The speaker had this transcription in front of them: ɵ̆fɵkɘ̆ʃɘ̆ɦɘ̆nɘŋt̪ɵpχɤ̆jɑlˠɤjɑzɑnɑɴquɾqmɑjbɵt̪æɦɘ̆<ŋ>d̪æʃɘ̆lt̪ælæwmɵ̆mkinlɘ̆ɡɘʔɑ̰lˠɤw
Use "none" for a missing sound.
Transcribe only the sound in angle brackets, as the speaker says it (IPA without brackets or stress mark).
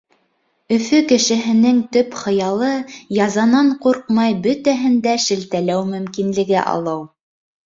n